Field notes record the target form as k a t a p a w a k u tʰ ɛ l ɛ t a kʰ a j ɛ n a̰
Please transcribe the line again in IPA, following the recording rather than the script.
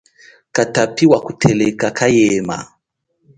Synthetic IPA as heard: k a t a p i w a k u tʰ ɛ l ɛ k a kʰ a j ɛ m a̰